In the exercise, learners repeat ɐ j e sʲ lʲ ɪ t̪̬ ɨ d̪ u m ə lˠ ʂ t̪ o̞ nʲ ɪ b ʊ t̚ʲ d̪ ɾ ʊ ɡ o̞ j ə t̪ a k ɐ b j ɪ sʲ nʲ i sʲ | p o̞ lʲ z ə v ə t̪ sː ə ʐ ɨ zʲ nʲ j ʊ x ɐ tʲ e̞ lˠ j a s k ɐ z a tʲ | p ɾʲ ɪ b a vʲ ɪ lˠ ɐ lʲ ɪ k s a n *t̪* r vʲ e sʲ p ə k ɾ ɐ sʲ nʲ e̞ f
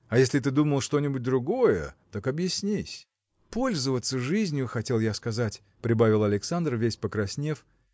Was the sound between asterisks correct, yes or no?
no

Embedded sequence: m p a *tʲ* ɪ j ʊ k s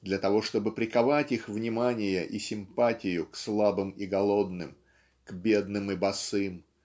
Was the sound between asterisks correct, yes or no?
yes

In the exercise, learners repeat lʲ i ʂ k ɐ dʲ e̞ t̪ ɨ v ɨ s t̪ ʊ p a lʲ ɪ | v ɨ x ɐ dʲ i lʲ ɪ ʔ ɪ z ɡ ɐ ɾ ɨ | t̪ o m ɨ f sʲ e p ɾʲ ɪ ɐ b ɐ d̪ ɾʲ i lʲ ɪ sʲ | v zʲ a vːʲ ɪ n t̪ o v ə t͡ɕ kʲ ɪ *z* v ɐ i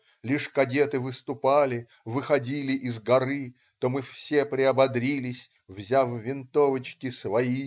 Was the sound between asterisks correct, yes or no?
no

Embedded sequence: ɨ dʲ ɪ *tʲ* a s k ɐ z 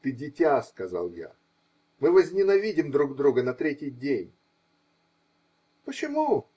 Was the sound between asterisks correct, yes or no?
yes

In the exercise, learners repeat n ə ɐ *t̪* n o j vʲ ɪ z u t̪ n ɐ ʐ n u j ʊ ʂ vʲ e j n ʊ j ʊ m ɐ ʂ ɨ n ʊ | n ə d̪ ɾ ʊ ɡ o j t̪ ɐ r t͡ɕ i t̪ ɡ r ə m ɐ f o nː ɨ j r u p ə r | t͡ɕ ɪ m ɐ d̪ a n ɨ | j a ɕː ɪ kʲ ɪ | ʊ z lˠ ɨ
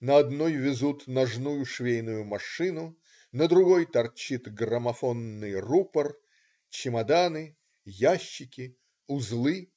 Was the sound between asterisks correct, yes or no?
no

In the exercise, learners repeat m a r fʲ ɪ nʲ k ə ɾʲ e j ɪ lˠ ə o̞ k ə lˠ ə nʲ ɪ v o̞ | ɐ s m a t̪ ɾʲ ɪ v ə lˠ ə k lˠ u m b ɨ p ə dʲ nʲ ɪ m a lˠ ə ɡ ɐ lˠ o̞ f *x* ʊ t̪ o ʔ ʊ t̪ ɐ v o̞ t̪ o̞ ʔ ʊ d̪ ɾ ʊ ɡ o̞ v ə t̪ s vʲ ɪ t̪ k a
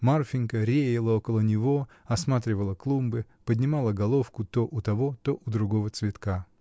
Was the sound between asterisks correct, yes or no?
no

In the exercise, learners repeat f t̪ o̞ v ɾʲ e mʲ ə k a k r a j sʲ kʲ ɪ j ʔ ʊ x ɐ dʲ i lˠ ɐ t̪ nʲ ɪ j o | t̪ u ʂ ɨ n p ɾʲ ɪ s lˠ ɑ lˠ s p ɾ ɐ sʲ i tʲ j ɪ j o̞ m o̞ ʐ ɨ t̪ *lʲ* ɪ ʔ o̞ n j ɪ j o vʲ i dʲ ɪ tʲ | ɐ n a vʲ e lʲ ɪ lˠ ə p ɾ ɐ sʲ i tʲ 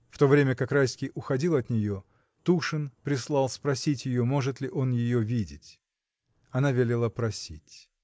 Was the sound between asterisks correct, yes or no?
yes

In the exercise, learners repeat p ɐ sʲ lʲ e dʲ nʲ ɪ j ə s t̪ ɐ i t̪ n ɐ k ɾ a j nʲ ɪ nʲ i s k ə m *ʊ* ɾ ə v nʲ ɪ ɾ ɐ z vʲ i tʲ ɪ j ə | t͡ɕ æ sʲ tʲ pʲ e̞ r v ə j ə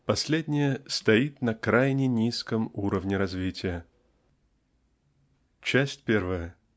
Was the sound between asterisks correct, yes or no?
no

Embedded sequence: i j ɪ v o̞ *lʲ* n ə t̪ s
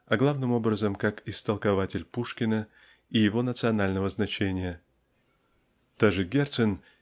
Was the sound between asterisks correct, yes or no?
no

